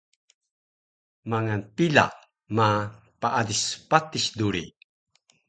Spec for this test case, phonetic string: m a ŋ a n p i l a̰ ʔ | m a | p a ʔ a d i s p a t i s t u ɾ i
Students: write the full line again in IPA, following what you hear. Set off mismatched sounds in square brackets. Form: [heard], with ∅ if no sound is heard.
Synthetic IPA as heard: m a ŋ a n p i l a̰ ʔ | m a | p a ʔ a d i s p a t i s [d] u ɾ i